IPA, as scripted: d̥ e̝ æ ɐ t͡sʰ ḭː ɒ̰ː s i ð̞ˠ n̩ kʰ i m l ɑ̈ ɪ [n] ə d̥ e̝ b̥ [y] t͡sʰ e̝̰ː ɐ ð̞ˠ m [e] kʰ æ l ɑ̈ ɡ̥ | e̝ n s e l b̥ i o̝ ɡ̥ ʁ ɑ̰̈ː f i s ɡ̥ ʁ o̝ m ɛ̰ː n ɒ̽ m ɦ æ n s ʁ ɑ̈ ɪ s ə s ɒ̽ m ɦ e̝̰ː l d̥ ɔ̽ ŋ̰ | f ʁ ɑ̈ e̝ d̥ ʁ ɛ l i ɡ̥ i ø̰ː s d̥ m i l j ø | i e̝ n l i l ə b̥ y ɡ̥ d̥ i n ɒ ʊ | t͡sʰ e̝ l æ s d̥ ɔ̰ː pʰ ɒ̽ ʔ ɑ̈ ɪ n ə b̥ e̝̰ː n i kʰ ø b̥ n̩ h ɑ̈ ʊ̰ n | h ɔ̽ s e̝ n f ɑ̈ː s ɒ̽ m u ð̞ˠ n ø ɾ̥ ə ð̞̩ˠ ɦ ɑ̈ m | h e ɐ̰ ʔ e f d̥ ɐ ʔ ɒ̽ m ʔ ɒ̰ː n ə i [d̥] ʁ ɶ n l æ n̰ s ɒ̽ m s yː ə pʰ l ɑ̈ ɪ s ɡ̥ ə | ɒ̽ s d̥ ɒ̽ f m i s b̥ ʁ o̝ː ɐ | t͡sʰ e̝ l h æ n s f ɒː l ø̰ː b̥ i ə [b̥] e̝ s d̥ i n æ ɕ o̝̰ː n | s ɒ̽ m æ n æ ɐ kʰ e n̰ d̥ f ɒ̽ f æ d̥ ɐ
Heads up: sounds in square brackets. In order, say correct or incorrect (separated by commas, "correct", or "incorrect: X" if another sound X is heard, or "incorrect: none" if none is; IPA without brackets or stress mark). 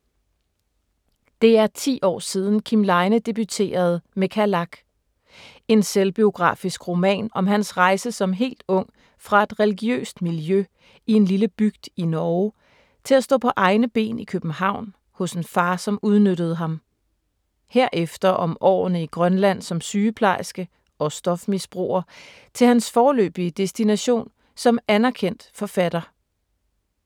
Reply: correct, correct, correct, incorrect: ɡ̥, incorrect: d̥